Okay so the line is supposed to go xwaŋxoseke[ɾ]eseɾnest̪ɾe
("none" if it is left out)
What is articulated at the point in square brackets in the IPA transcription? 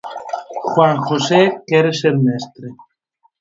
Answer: ɾ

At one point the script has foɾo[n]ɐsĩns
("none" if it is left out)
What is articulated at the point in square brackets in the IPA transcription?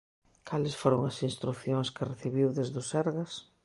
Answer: ŋ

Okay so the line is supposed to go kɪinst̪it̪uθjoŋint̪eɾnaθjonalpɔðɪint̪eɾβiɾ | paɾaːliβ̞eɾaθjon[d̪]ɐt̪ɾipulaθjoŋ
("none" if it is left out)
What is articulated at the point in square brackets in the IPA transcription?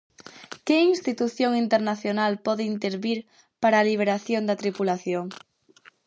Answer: d̪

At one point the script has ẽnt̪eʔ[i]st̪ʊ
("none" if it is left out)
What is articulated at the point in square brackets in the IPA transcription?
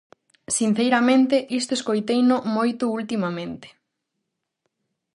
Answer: i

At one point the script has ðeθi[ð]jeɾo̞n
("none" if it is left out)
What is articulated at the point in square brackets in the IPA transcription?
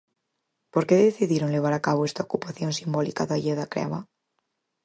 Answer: ð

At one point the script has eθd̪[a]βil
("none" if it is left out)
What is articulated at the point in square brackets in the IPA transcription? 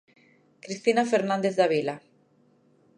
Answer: a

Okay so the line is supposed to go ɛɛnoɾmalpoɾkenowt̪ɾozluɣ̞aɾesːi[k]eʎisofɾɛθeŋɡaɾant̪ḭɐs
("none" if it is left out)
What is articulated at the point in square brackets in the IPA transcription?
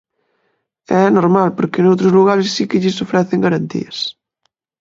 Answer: k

